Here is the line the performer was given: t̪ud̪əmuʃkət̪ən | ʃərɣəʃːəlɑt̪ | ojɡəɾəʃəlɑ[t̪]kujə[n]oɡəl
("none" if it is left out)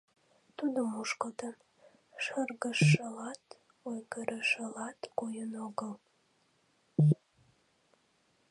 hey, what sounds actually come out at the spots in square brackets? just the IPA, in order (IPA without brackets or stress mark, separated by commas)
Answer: t̪, n